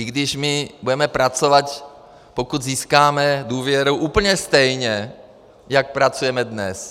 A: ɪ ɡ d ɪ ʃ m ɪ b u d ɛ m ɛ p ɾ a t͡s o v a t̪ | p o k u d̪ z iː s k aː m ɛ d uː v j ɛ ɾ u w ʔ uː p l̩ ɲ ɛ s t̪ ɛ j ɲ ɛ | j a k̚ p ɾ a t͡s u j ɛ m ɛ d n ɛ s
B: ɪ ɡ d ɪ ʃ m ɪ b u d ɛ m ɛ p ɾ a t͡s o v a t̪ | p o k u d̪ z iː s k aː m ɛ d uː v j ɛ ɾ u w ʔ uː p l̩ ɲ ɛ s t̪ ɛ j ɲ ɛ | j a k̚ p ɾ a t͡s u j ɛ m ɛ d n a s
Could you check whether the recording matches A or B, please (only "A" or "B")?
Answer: A